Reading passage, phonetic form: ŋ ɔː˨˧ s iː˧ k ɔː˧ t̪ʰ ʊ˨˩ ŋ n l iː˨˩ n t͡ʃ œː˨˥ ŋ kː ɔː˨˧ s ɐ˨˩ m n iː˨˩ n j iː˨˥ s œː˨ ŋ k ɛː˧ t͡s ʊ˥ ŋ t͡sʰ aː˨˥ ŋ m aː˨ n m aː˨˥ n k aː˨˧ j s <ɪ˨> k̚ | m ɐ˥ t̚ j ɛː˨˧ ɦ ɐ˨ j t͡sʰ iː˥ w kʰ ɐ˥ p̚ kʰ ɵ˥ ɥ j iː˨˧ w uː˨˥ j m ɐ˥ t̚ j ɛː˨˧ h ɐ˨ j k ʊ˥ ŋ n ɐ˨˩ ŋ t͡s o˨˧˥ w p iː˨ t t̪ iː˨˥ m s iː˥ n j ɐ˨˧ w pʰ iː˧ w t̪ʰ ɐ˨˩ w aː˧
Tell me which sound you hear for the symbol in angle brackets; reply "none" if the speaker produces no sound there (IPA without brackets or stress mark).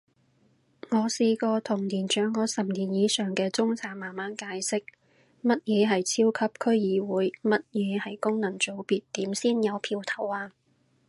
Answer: ɪ˥